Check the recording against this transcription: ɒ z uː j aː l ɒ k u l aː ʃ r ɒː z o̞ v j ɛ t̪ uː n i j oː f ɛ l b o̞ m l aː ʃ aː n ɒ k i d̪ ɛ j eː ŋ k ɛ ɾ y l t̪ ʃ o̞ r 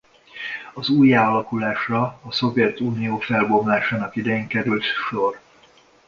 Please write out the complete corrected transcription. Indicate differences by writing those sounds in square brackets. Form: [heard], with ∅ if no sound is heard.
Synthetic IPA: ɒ z uː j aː l ɒ k u l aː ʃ r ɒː [s] o̞ v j ɛ t̪ uː n i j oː f ɛ l b o̞ m l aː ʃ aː n ɒ k i d̪ ɛ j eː ŋ k ɛ ɾ y l t̪ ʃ o̞ r

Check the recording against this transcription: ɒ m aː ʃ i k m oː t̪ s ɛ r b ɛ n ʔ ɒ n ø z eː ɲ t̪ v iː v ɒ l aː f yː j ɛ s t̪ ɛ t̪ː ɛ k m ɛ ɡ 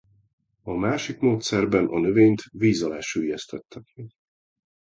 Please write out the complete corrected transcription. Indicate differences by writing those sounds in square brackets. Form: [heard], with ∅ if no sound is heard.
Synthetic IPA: ɒ m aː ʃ i k m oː t̪ s ɛ r b ɛ n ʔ ɒ n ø [v] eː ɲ t̪ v iː [z] ɒ l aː [ʃ] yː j ɛ s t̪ ɛ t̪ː ɛ k m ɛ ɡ

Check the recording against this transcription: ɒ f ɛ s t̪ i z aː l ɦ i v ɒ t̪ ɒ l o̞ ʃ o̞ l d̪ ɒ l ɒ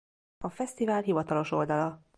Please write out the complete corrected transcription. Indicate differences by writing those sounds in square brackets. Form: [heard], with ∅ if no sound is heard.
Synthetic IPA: ɒ f ɛ s t̪ i [v] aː l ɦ i v ɒ t̪ ɒ l o̞ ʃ o̞ l d̪ ɒ l ɒ

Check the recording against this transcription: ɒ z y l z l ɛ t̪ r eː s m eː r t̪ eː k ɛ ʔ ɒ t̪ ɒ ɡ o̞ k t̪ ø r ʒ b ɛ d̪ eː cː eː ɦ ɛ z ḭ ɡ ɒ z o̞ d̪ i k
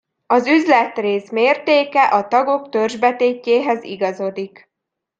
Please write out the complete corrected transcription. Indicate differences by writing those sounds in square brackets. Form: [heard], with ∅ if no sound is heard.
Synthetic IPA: ɒ z y [∅] z l ɛ t̪ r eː s m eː r t̪ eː k ɛ ʔ ɒ t̪ ɒ ɡ o̞ k t̪ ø r ʒ b ɛ [t̪] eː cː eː ɦ ɛ z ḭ ɡ ɒ z o̞ d̪ i k

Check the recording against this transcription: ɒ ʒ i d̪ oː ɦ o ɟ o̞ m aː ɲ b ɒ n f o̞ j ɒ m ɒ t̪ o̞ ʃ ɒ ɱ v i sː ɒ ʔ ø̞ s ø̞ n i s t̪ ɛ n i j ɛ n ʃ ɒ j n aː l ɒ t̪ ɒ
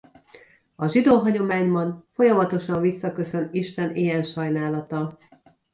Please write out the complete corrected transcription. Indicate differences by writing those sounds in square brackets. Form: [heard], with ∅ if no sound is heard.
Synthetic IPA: ɒ ʒ i d̪ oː ɦ [ɒ] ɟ o̞ m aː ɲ b ɒ n f o̞ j ɒ m ɒ t̪ o̞ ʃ ɒ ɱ v i sː ɒ [k] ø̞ s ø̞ n i [ʃ] t̪ ɛ n i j ɛ n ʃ ɒ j n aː l ɒ t̪ ɒ

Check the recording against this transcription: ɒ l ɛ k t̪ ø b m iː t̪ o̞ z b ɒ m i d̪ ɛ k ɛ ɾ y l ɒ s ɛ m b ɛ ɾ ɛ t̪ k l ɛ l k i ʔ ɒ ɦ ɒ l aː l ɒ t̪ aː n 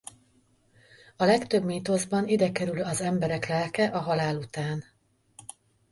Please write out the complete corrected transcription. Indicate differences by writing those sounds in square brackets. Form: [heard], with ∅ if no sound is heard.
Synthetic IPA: ɒ l ɛ k t̪ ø b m iː t̪ o̞ z b ɒ [n] i d̪ ɛ k ɛ ɾ y l ɒ [z] ɛ m b ɛ ɾ ɛ [∅] k l ɛ l k [ɛ] ʔ ɒ ɦ ɒ l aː l [u] t̪ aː n

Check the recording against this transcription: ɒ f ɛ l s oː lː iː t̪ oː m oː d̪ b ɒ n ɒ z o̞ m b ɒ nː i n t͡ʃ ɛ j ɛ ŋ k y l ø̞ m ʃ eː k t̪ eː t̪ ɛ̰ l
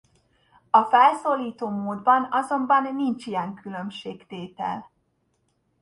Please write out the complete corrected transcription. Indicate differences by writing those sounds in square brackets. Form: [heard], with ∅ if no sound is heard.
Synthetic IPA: ɒ f ɛ l s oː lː iː t̪ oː m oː d̪ b ɒ n ɒ z o̞ m b ɒ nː i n t͡ʃ [i] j ɛ ŋ k y l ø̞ m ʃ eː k t̪ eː t̪ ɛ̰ l

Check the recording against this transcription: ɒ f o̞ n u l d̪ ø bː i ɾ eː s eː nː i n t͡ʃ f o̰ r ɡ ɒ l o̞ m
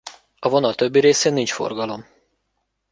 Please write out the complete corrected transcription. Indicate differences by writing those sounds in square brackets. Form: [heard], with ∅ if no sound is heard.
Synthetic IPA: ɒ [v] o̞ n [ɒ] l [t̪] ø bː i ɾ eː s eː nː i n t͡ʃ f o̰ r ɡ ɒ l o̞ m

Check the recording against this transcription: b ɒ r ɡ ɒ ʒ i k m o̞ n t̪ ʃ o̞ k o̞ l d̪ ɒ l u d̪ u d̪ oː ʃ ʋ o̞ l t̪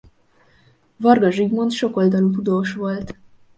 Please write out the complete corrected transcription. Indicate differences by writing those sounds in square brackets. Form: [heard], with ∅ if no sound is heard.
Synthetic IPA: [v] ɒ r ɡ ɒ ʒ i [ɡ] m o̞ n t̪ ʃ o̞ k o̞ l d̪ ɒ l u [t̪] u d̪ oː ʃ ʋ o̞ l t̪

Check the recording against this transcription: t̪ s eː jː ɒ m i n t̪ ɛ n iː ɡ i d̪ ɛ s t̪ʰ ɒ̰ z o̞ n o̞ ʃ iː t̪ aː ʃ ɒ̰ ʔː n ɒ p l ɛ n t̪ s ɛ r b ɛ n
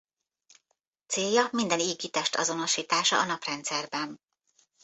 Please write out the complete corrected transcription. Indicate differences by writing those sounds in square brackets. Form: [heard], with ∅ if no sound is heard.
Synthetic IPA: t̪ s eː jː ɒ m i n [d̪] ɛ n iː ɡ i [t̪] ɛ [ʃ] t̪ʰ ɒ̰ z o̞ n o̞ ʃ iː t̪ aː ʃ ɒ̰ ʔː n ɒ p [r] ɛ n t̪ s ɛ r b ɛ n

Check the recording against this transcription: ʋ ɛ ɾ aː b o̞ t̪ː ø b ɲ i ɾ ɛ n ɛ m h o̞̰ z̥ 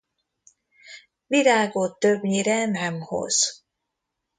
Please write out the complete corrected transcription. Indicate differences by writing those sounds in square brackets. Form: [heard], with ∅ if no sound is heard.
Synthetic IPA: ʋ [i] ɾ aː [ɡ] o̞ t̪ː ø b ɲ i ɾ ɛ n ɛ m h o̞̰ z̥

